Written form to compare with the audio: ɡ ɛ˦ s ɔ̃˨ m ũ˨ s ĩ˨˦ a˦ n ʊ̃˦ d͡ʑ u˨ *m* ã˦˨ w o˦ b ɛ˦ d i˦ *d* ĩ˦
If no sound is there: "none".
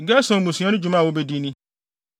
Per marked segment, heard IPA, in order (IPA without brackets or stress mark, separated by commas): m, n